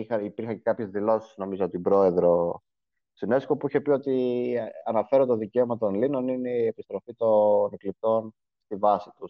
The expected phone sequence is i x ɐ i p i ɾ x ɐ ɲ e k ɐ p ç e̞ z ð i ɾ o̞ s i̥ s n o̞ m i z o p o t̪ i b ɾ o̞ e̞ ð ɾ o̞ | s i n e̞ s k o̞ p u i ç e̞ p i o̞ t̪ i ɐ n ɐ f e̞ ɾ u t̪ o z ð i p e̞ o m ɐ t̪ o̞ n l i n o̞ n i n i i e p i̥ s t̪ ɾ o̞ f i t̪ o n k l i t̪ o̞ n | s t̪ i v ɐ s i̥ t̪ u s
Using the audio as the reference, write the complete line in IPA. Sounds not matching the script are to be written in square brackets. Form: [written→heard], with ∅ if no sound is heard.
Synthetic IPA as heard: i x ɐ i p i ɾ x ɐ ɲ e k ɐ p ç e̞ z ð i [ɾ→l] o̞ s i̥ s n o̞ m i z o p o t̪ i b ɾ o̞ e̞ ð ɾ o̞ | s i n e̞ s k o̞ p u i ç e̞ p i o̞ t̪ i ɐ n ɐ f e̞ ɾ [u→o] t̪ o [z→∅] ð i [p→c] e̞ o m ɐ t̪ o̞ n l i n o̞ n i n [i→e] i e p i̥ s t̪ ɾ o̞ f i t̪ o n k l i t̪ o̞ n | s t̪ i v ɐ s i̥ t̪ u s